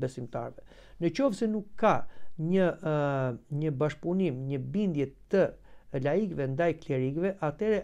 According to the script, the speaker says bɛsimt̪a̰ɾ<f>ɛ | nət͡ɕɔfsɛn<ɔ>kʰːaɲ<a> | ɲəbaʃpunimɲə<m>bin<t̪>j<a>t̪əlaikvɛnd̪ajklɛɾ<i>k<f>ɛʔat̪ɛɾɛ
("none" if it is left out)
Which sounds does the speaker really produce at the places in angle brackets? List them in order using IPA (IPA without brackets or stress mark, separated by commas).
v, u, ə, none, d̪, ɛ, i, v